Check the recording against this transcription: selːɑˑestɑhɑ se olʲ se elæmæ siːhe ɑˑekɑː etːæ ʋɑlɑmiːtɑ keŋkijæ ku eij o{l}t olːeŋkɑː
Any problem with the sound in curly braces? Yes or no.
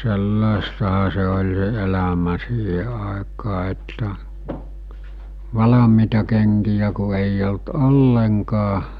no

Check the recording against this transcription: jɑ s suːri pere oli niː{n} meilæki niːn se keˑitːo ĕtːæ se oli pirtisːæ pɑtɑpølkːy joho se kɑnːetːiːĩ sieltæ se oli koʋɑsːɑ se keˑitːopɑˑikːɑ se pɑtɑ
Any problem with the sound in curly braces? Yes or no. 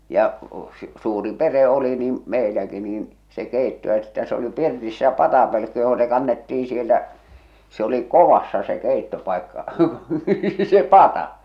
yes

